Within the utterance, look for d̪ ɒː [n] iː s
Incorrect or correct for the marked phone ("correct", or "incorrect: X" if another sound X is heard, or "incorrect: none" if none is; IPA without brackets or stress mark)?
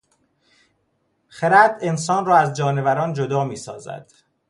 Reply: incorrect: m